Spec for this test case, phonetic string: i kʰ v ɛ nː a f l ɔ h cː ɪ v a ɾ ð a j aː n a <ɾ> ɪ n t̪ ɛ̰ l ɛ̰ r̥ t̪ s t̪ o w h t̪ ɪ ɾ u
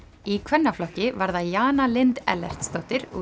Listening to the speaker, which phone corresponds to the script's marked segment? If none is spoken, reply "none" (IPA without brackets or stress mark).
l